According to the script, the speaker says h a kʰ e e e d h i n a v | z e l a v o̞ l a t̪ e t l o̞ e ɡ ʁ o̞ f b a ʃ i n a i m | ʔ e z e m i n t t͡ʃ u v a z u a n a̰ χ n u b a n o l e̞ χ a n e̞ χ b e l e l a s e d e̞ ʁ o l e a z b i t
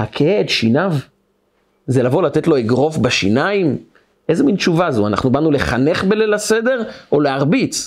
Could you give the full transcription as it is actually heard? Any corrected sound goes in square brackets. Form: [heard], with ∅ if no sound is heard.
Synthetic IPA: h a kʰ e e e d [ʃ] i n a v | z e l a v o̞ l a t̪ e t l o̞ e ɡ ʁ o̞ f b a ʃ i n a i m | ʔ e z e m i n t t͡ʃ u v a z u a n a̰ χ n u b a n [u] l e̞ χ a n e̞ χ b e l e l a s e d e̞ ʁ o l e a [ʁ] b i [t͡s]